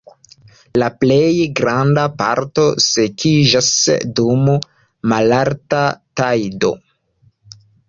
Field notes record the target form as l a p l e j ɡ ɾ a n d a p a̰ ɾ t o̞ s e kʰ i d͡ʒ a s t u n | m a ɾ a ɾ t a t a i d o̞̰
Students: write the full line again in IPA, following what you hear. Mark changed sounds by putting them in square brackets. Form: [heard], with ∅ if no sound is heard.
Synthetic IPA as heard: l a p l e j ɡ ɾ a n d a p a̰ ɾ t o̞ s e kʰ i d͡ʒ a s [d] u [m] | m a [l] a ɾ t a t a [j] d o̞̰